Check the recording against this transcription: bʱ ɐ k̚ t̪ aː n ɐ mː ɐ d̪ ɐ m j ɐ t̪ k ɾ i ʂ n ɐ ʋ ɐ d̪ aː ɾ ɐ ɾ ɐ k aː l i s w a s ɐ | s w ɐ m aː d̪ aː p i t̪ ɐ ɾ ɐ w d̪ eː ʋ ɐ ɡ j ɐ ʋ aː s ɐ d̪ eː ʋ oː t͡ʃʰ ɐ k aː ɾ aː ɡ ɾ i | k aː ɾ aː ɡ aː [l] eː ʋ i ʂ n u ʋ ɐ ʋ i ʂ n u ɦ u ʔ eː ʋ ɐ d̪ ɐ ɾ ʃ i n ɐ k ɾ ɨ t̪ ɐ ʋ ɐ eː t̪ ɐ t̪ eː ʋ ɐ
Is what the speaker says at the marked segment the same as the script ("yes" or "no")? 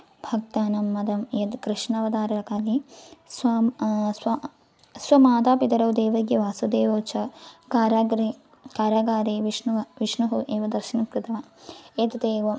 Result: no